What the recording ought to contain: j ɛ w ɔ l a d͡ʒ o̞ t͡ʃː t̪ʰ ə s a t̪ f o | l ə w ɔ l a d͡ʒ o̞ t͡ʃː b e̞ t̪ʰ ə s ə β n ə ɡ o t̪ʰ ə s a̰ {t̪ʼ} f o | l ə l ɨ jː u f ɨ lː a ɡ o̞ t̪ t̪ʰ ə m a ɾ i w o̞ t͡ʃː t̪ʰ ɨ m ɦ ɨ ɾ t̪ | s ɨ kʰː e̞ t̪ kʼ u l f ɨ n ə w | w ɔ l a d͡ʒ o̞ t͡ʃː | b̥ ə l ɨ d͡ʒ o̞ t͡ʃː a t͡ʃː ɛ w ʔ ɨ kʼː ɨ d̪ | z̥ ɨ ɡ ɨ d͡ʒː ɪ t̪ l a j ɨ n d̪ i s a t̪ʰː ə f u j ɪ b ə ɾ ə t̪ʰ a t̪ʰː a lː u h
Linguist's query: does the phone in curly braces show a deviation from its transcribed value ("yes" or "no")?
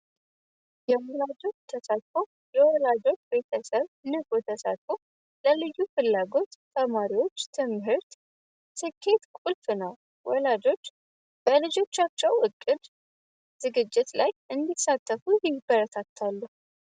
yes